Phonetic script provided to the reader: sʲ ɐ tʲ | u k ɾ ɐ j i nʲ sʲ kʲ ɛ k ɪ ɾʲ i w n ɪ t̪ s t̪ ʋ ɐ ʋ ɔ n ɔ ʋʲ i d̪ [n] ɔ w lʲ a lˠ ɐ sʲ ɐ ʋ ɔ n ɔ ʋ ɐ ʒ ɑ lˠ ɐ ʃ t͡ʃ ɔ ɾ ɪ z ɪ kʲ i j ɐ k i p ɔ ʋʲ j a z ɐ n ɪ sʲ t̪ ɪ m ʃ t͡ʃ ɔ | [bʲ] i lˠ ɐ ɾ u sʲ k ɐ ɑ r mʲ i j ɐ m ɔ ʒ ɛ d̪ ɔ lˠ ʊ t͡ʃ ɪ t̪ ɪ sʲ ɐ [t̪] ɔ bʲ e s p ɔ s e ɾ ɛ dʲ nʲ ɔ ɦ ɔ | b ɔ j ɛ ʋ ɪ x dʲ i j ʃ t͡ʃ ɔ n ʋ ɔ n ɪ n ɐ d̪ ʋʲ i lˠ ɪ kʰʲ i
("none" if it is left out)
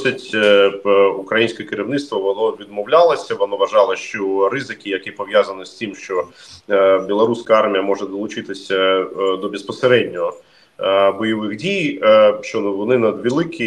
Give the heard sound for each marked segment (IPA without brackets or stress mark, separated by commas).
m, bʲ, d̪